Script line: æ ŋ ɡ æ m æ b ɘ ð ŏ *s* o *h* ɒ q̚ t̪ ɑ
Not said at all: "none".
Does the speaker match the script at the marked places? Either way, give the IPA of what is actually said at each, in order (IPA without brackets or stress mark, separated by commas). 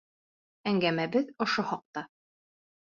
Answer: ʃ, h